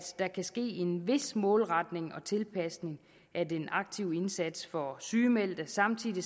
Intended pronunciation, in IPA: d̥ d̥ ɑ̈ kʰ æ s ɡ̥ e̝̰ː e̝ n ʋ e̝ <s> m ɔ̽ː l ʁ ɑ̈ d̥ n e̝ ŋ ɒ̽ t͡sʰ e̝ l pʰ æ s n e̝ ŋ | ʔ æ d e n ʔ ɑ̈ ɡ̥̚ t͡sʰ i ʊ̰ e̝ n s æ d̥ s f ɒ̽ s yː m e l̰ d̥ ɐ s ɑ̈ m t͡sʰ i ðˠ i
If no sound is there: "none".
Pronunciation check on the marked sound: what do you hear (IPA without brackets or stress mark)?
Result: s